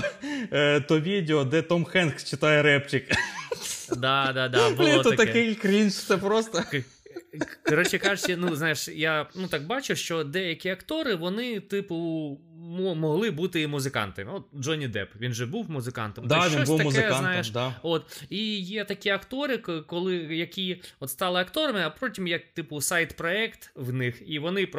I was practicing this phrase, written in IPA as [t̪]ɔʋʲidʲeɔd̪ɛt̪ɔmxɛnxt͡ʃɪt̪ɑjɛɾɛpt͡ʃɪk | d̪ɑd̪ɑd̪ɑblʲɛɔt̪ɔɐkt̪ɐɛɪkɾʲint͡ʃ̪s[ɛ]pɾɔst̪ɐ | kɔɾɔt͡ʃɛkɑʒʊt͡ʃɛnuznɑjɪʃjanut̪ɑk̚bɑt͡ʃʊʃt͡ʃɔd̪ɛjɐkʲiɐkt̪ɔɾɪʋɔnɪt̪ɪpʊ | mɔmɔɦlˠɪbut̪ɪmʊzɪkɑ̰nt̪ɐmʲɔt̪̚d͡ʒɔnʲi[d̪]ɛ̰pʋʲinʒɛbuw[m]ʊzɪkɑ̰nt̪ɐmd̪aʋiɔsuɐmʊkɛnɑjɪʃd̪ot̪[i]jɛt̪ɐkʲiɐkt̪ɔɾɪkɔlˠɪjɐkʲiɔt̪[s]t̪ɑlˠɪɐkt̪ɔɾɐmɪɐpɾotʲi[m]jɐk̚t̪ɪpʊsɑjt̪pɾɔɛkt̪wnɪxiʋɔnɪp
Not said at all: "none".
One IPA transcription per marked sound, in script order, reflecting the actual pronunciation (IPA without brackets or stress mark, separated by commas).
t̪, ɛ, d̪, m, i, s, m